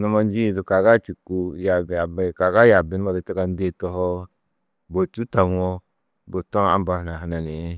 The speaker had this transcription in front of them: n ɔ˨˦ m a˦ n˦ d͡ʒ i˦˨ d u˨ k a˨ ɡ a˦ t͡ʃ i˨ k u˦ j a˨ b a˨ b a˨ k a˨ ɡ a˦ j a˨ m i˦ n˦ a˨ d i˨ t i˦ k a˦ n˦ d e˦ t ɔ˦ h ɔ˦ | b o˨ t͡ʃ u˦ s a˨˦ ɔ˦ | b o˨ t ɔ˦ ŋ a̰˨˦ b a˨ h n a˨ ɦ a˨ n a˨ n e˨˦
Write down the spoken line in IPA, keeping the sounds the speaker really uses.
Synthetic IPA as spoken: n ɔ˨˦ m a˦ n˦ d͡ʒ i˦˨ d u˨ k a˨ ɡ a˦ t͡ʃ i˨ k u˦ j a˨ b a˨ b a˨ k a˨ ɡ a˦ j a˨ b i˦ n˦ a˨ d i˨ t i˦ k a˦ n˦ d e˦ t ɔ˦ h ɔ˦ | b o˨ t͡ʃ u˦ t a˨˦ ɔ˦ | b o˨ t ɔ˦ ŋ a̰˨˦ b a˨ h n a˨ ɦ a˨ n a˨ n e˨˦